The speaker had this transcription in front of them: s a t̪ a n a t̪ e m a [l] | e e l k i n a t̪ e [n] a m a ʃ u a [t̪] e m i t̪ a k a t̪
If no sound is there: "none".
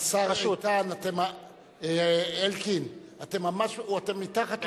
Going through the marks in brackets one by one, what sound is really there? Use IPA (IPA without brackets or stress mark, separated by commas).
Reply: none, m, t̪